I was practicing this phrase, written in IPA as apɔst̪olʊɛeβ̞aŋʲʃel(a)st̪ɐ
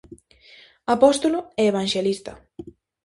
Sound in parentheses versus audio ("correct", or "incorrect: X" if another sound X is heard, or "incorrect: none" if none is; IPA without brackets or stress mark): incorrect: i